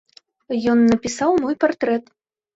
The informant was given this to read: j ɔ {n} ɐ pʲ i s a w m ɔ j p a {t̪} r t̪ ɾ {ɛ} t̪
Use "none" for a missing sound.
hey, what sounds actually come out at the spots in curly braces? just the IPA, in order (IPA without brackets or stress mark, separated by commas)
nː, none, ɛ